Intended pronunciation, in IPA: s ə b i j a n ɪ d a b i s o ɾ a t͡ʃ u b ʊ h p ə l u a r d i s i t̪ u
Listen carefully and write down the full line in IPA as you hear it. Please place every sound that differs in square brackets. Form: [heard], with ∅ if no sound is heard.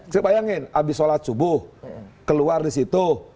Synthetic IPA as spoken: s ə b [a] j a [ŋ] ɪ [n] a b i s o [l] a t͡ʃ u b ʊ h [k] ə l u a r d i s i t̪ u